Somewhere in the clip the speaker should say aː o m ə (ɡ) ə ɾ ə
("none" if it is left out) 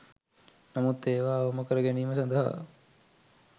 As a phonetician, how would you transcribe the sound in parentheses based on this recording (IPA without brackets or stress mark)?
k